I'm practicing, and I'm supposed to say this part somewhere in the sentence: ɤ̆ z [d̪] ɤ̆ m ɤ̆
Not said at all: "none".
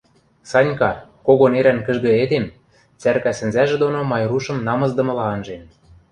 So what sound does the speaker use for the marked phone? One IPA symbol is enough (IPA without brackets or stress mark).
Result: d̪